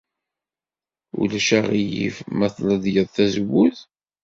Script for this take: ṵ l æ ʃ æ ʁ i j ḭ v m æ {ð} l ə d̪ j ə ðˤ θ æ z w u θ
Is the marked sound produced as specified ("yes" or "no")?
no